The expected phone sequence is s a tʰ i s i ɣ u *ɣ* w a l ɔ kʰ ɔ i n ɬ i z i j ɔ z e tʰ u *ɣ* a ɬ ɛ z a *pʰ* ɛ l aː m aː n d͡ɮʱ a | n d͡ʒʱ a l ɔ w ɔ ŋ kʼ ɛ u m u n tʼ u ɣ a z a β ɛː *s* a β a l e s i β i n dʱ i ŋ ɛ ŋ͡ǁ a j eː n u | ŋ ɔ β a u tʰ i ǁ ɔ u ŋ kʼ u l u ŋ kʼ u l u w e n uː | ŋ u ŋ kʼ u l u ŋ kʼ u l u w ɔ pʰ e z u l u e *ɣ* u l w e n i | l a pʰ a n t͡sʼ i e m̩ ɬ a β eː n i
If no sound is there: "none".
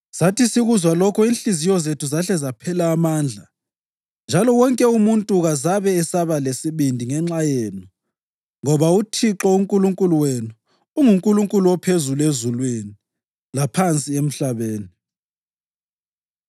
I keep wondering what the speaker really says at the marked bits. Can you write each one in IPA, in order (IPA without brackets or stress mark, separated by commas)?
z, z, pʰ, s, z